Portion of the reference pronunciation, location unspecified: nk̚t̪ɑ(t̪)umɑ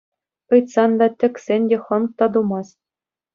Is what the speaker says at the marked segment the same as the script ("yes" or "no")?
no